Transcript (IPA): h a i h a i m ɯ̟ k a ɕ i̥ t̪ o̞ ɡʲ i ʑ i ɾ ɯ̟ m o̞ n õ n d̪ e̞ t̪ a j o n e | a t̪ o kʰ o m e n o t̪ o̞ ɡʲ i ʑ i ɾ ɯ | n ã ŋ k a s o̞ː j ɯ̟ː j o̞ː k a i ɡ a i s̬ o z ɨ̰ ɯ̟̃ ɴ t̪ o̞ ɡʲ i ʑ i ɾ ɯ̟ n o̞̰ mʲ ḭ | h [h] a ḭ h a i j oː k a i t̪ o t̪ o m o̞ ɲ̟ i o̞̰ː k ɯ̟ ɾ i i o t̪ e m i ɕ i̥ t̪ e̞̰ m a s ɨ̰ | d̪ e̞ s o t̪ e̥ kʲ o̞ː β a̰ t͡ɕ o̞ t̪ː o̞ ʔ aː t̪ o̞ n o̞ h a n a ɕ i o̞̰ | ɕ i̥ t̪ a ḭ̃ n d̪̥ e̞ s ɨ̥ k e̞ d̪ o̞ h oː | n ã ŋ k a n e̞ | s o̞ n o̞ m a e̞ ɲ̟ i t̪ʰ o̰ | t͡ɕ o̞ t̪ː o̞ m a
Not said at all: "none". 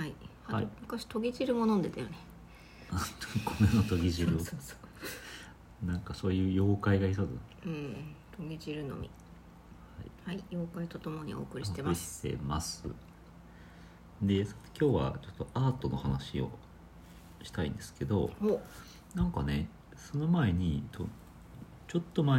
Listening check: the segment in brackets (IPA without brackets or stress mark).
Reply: h